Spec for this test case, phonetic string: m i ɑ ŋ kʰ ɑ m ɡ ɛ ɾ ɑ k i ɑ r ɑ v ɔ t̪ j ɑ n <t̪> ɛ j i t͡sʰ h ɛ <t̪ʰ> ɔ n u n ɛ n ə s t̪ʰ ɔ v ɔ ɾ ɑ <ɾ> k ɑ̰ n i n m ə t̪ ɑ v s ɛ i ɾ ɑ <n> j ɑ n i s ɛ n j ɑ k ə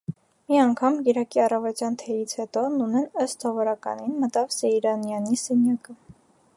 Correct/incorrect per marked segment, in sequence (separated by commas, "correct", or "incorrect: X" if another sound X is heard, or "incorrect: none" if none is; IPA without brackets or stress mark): incorrect: t̪ʰ, incorrect: t̪, incorrect: none, correct